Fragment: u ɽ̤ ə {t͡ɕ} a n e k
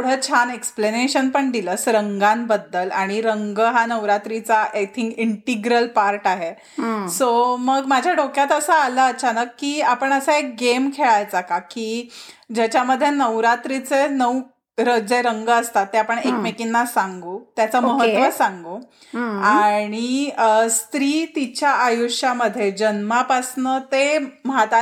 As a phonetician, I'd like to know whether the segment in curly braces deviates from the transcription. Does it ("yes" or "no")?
yes